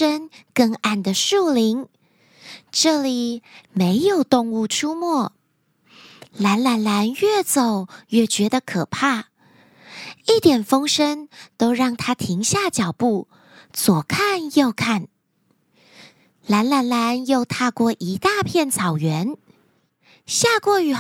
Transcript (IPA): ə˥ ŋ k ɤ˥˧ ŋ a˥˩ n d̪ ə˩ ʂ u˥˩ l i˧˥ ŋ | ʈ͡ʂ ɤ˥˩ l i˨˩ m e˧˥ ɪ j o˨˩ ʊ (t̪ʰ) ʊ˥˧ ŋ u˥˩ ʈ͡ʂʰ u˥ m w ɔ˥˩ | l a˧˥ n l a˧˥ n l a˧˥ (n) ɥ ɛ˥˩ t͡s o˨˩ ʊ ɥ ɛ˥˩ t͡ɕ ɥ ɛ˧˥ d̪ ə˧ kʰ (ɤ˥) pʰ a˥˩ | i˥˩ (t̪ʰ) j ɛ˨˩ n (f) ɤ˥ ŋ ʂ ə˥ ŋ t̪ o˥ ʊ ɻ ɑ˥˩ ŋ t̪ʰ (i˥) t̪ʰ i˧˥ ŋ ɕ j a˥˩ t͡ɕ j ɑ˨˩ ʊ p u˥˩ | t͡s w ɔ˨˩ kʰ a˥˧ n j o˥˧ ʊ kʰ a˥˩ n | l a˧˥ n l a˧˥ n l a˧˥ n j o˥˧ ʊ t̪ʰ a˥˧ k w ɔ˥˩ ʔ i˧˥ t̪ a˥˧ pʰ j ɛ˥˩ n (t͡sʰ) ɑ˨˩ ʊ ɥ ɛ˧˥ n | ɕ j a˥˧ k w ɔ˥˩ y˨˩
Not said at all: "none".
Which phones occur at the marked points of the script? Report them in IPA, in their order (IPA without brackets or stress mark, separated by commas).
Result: t̪, n, ɤ˨˩, t̪, f, a˥, t͡sʰ